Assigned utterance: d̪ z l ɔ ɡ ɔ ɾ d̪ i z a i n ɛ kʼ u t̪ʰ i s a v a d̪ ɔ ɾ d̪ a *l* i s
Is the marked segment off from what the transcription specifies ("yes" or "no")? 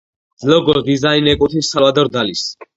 no